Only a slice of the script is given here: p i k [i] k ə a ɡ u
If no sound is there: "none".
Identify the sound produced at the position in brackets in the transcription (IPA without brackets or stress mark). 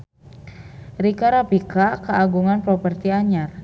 a